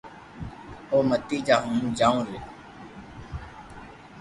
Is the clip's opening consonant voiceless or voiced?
voiced